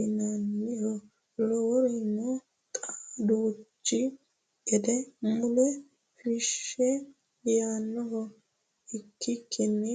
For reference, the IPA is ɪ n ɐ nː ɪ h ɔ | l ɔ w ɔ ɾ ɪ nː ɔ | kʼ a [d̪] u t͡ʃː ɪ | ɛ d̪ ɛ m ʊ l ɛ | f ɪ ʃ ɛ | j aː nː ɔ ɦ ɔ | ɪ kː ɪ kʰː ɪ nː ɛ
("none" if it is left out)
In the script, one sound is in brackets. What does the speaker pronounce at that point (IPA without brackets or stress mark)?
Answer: d̪